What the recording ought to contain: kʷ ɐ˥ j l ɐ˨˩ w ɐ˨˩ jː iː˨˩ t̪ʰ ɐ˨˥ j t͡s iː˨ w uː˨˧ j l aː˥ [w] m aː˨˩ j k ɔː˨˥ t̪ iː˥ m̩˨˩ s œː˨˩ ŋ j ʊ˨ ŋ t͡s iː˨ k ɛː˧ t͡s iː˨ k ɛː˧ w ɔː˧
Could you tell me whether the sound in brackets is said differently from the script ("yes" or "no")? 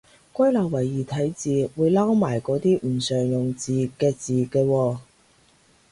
no